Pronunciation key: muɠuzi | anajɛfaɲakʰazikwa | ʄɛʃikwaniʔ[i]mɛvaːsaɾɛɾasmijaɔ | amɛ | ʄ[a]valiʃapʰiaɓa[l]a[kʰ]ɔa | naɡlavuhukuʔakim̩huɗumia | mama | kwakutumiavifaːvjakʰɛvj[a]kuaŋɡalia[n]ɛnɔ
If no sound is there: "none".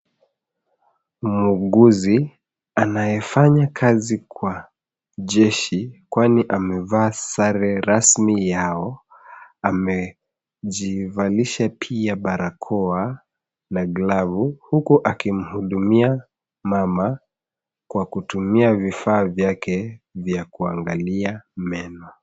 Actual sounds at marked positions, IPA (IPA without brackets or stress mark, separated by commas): a, i, ɾ, kʰ, a, m